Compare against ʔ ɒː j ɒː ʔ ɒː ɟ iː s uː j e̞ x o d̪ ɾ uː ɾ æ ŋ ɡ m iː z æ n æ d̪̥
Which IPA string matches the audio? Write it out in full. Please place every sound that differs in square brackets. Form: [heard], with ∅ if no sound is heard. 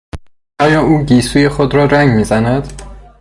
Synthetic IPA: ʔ ɒː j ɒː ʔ [uː] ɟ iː s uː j e̞ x o d̪ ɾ [ɒː] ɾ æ ŋ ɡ m iː z æ n æ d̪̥